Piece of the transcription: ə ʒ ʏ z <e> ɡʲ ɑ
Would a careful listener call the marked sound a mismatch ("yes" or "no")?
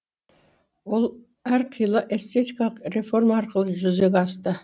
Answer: no